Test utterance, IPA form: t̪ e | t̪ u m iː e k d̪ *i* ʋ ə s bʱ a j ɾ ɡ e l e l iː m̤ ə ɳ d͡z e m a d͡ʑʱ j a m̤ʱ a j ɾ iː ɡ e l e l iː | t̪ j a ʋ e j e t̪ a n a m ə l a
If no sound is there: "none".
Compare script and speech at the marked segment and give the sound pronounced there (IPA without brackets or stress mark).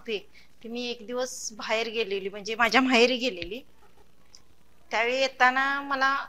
i